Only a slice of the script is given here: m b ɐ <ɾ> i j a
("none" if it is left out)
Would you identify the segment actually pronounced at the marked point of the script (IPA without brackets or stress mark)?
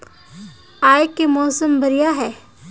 ɾ